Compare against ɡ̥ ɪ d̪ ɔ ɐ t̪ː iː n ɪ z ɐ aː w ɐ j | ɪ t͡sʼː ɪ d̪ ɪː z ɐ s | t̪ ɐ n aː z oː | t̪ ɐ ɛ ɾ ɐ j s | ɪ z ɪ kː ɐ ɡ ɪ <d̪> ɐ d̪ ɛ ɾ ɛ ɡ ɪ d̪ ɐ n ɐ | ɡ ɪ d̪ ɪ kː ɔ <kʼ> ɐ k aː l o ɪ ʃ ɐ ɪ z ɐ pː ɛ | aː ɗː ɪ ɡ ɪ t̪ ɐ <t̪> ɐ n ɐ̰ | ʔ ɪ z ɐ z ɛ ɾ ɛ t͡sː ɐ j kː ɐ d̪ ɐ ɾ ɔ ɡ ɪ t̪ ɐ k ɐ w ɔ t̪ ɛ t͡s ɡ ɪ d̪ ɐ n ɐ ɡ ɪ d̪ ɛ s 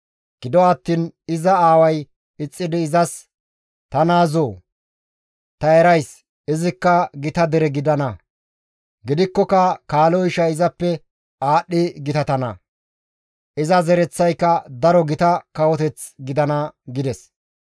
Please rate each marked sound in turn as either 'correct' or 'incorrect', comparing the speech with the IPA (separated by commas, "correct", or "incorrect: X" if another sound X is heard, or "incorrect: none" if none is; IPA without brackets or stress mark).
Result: incorrect: t̪, incorrect: k, correct